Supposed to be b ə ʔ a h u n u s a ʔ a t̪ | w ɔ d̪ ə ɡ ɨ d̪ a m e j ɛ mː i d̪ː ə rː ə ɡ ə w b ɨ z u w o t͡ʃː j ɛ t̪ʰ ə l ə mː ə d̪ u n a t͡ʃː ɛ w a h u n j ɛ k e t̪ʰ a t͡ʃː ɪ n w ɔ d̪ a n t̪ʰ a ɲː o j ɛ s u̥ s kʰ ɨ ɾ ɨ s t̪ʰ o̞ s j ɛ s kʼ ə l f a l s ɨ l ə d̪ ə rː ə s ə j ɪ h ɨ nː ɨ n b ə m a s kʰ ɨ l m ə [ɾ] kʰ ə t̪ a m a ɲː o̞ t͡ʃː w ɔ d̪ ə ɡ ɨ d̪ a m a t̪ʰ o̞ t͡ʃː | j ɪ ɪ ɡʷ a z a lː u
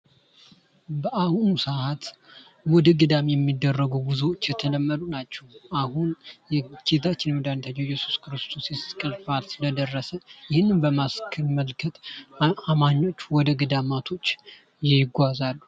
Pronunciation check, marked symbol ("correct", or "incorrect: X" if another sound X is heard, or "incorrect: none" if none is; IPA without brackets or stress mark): incorrect: l